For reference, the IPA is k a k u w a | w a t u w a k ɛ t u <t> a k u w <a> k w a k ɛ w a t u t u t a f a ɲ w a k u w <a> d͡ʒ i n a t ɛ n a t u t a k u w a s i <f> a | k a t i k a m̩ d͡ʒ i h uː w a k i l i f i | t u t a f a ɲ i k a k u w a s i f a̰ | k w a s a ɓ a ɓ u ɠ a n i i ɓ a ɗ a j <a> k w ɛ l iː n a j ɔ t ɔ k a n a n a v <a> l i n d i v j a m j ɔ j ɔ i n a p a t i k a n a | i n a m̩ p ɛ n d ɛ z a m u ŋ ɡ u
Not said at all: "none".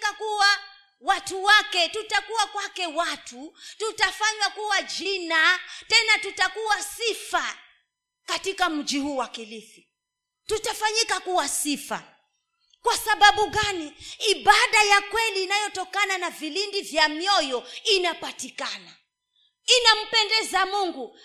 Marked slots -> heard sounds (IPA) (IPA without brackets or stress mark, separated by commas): t, a, a, f, a, i